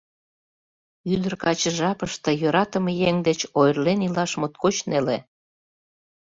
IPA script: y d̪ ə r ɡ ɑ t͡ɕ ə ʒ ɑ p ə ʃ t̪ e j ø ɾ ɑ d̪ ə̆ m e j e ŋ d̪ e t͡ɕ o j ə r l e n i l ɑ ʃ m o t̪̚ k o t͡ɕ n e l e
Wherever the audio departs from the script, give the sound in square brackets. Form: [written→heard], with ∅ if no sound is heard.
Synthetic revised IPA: y d̪ ə r [ɡ→k] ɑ t͡ɕ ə ʒ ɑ p ə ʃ t̪ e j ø ɾ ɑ [d̪→t̪] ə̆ m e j e ŋ d̪ e t͡ɕ o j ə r l e n i l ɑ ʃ m o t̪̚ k o t͡ɕ n e l e